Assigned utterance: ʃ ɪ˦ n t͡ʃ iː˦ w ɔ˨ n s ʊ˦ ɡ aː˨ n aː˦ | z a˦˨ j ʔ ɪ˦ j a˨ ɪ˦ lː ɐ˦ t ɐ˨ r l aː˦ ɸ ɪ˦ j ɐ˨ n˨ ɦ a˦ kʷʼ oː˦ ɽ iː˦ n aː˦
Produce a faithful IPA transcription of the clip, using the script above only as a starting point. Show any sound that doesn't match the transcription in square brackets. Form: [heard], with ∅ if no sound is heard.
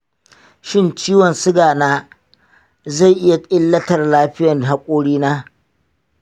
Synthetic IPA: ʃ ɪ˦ n t͡ʃ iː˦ w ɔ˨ n s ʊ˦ ɡ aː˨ n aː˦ | z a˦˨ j ʔ ɪ˦ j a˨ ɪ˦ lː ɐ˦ t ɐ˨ r l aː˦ ɸ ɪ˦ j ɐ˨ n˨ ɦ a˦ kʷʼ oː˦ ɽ iː˦ n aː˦